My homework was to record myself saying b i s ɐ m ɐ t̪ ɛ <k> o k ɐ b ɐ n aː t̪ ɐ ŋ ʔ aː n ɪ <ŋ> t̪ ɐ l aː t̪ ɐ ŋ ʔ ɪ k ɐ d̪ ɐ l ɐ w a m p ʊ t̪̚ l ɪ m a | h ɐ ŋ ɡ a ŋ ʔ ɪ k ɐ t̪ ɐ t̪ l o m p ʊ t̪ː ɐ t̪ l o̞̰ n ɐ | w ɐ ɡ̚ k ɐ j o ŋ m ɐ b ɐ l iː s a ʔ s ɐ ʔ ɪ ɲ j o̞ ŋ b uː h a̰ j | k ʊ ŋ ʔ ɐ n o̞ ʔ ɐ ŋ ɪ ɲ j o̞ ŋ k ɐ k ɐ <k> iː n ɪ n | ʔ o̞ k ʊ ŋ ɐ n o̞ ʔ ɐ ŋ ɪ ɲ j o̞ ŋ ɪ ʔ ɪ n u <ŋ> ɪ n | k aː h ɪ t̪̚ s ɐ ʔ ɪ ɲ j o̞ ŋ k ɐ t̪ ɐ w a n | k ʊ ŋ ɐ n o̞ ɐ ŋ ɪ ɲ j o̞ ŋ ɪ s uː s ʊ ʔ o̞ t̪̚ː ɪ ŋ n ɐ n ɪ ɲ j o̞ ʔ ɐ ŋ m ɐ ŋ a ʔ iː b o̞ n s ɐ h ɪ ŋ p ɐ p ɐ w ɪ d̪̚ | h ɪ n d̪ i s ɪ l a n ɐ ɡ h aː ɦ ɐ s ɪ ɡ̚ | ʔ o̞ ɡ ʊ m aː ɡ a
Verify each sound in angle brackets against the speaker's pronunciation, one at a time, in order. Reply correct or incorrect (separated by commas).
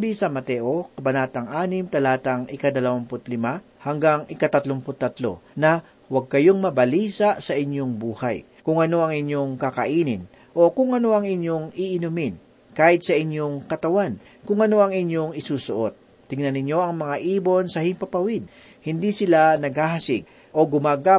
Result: incorrect, incorrect, incorrect, incorrect